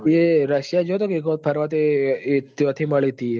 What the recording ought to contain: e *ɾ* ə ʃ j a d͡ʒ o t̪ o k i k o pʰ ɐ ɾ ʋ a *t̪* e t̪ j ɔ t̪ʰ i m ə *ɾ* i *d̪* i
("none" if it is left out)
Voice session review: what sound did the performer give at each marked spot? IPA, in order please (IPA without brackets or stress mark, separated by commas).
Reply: ɾ, t̪, ɭ, t̪